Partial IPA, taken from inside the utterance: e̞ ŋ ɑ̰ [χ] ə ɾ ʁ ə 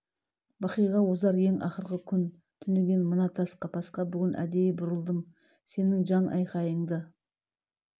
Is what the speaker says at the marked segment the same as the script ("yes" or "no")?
yes